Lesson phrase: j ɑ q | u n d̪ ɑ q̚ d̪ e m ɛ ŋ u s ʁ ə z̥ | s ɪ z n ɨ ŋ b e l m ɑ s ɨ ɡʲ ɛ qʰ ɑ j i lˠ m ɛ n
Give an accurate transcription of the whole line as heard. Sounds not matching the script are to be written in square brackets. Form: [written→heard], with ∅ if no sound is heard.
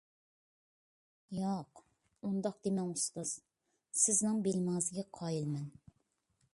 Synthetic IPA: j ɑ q | u n d̪ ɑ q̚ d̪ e m ɛ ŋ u s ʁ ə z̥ | s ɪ z n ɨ ŋ b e l m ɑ [s→z] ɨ ɡʲ ɛ qʰ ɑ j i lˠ m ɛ n